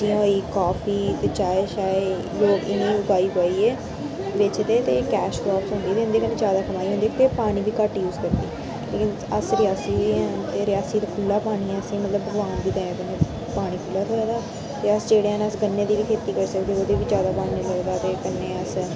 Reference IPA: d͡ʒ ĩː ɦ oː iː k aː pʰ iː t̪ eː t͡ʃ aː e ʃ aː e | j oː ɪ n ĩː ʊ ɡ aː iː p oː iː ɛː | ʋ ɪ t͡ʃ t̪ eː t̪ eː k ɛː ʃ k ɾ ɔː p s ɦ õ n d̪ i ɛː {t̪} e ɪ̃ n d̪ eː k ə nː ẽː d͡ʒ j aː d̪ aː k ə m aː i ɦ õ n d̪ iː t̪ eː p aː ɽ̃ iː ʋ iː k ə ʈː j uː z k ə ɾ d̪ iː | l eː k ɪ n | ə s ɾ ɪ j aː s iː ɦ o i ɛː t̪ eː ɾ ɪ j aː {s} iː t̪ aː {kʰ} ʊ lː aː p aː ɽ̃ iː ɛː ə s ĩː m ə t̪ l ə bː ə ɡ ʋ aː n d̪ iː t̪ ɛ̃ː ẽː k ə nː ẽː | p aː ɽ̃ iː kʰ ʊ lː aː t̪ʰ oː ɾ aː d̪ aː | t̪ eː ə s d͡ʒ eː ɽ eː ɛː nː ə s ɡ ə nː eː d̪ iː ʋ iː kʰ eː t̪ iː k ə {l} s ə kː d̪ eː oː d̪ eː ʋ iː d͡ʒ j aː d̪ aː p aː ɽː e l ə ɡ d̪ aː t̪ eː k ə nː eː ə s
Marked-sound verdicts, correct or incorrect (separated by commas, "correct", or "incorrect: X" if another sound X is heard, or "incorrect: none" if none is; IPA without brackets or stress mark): correct, correct, correct, incorrect: ɾ